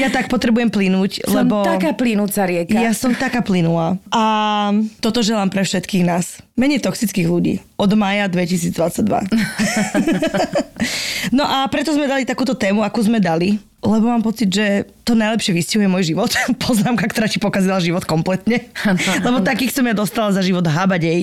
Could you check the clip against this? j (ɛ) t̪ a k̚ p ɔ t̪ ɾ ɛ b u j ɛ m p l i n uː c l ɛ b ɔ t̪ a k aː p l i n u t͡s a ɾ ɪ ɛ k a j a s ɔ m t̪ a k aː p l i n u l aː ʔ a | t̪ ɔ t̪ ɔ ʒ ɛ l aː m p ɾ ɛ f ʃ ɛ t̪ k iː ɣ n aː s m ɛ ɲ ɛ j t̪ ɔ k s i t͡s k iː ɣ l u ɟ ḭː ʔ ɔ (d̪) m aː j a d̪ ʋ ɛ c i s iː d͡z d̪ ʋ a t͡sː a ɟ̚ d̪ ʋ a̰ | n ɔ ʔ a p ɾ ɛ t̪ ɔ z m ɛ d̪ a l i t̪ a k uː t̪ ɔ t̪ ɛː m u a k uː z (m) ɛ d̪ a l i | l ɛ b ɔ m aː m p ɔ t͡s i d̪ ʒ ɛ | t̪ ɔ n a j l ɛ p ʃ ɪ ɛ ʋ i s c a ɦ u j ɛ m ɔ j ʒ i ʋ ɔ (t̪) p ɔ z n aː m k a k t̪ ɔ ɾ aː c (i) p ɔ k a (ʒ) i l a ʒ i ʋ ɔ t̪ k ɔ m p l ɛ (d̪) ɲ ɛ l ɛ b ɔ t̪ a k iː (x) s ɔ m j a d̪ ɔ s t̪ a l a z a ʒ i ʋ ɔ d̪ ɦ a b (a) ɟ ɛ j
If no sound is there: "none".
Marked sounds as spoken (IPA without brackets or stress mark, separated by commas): a, d̪, m, t̪, i, z, t̪, x, a